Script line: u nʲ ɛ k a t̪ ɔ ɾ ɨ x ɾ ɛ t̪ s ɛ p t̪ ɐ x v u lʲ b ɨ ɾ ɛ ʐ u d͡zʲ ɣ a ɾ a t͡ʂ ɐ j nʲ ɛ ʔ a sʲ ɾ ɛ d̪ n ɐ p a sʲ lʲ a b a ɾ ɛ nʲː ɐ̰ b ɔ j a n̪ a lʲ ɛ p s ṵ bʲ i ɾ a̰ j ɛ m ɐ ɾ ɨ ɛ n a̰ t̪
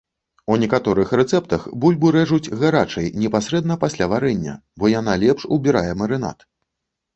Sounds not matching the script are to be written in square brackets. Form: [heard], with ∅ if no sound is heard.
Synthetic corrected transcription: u nʲ ɛ k a t̪ ɔ ɾ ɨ x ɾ ɛ t̪ s ɛ p t̪ ɐ x [b] u lʲ b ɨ ɾ ɛ ʐ u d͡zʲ ɣ a ɾ a t͡ʂ ɐ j nʲ ɛ [p] a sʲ ɾ ɛ d̪ n ɐ p a sʲ lʲ a [v] a ɾ ɛ nʲː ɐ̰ b ɔ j a n̪ a lʲ ɛ p [ʂ] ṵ bʲ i ɾ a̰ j ɛ m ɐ ɾ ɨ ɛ n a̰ t̪